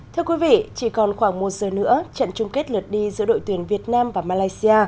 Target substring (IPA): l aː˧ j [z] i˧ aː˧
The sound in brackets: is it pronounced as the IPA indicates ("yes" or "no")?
no